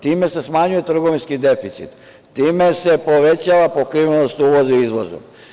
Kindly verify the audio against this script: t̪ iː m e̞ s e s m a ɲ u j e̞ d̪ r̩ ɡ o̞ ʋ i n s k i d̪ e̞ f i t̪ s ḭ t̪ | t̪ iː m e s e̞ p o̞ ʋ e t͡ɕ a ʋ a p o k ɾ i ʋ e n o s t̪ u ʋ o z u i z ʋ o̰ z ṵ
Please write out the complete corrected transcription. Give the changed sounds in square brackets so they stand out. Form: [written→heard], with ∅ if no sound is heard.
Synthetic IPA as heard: t̪ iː m e̞ s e s m a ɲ u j e̞ [d̪→t̪] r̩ ɡ o̞ ʋ i n s k i d̪ e̞ f i t̪ s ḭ t̪ | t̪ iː m e s e̞ p o̞ ʋ e t͡ɕ a ʋ a p o k ɾ i ʋ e n o s t̪ u ʋ o z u i z ʋ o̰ z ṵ